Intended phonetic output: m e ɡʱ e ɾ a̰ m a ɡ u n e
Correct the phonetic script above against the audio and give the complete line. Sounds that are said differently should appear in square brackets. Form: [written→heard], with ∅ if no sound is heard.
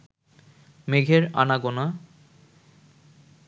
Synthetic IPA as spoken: m e ɡʱ e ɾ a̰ [m→n] a ɡ [u→o] n [e→a]